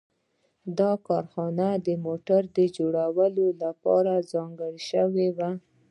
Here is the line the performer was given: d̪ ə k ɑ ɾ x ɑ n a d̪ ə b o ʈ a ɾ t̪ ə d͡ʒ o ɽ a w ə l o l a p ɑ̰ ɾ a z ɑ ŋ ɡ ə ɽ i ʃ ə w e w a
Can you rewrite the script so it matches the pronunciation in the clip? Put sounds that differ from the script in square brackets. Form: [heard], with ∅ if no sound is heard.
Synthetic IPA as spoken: d̪ [ɑ] k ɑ ɾ x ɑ n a d̪ ə [m] o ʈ a ɾ [d̪] ə d͡ʒ o ɽ a w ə l o l a p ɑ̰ ɾ a z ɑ ŋ ɡ ə ɽ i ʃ ə w e w a